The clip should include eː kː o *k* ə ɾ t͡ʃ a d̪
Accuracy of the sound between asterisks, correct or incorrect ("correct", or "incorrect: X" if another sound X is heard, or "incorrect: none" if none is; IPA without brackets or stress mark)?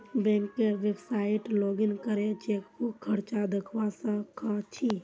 incorrect: kʰ